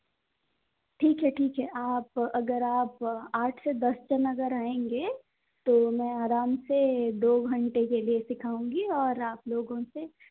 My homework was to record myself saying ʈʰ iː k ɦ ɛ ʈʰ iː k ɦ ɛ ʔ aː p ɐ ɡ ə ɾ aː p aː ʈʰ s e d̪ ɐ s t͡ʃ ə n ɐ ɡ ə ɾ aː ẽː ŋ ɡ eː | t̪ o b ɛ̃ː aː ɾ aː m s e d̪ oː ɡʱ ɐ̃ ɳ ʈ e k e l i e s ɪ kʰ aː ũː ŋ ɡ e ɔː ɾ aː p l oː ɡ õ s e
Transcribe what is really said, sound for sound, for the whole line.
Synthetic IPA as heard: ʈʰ iː k ɦ ɛ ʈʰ iː k ɦ ɛ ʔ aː p ɐ ɡ ə ɾ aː p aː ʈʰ s e d̪ ɐ s t͡ʃ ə n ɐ ɡ ə ɾ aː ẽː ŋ ɡ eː | t̪ o m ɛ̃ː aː ɾ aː m s e d̪ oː ɡʱ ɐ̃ ɳ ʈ e k e l i e s ɪ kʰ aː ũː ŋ ɡ i ɔː ɾ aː p l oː ɡ õ s e